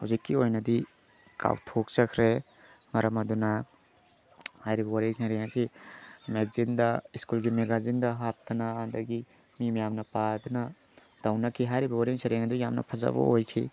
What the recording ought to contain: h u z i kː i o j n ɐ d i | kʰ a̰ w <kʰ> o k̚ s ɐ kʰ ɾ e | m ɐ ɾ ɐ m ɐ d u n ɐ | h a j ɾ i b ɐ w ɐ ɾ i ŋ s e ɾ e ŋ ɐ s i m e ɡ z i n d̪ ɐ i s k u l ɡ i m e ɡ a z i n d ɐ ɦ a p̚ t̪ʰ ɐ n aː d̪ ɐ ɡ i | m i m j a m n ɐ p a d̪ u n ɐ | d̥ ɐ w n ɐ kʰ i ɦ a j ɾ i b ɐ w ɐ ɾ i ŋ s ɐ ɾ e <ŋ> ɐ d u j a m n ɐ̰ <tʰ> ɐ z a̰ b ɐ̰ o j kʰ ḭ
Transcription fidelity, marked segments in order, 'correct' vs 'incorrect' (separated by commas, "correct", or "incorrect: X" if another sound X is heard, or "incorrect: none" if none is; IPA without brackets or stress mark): incorrect: tʰ, correct, incorrect: pʰ